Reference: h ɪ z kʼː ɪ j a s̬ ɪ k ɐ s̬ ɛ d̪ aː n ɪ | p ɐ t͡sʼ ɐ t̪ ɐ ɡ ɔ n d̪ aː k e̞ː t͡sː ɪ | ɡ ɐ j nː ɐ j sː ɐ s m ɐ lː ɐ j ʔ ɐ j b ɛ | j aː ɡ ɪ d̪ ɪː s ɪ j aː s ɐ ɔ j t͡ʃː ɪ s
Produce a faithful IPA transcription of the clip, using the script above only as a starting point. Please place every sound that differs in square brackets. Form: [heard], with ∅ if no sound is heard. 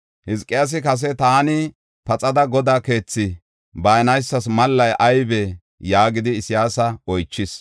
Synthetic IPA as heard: h ɪ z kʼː ɪ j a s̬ ɪ k ɐ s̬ ɛ [t̪] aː n ɪ | p ɐ t͡sʼ ɐ [d̪] ɐ ɡ ɔ [∅] d̪ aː k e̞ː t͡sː ɪ | [b] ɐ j [n] ɐ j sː ɐ s m ɐ lː ɐ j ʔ ɐ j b ɛ | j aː ɡ ɪ d̪ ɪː s ɪ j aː s ɐ ɔ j t͡ʃː ɪ s